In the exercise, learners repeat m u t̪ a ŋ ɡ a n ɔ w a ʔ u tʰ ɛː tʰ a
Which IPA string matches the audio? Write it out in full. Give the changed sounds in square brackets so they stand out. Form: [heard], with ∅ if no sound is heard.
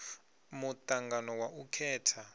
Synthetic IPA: m u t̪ a ŋ ɡ a n ɔ w a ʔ u [kʰ] ɛː tʰ a